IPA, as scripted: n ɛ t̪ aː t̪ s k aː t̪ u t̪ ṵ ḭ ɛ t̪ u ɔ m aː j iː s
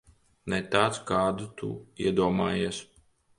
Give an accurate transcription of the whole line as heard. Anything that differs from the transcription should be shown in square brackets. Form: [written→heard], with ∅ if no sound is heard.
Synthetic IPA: n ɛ t̪ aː t̪ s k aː [t̪→d̪] u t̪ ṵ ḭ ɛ [t̪→d̪] u ɔ m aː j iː s